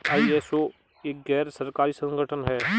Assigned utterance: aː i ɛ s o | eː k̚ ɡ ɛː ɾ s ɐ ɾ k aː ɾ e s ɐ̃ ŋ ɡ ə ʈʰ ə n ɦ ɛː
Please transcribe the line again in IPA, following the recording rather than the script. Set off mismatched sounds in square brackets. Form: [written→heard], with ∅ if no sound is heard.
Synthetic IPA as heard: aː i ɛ s o | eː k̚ ɡ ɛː ɾ s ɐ ɾ k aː ɾ [e→i] s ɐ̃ ŋ ɡ ə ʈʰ ə n ɦ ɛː